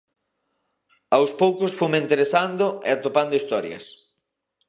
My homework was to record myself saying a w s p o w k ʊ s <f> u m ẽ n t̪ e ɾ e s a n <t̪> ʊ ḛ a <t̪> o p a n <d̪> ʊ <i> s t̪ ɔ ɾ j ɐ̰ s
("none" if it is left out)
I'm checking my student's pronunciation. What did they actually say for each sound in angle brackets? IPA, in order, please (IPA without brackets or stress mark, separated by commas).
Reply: f, d̪, t̪, d̪, i